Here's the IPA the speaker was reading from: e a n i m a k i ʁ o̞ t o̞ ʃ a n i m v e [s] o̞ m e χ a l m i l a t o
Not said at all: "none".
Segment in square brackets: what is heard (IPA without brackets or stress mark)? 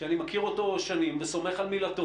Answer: s